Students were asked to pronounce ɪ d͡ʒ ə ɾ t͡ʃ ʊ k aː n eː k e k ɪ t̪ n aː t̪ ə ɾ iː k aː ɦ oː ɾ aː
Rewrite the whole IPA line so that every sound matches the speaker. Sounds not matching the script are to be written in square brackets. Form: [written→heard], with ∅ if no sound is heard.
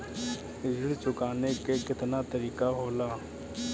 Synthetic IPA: ɪ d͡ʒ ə [ɾ→ɽ] t͡ʃ ʊ k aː n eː k e k ɪ t̪ n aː t̪ ə ɾ iː k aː ɦ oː [ɾ→l] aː